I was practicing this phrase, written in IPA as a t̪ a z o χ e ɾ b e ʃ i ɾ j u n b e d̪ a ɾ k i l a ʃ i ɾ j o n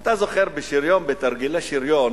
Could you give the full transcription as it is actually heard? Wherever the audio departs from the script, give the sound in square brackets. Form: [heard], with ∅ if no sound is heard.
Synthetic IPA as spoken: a t̪ a z o χ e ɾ b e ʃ i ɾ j [o] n b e [t̪] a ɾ [ɡ] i l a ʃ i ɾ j o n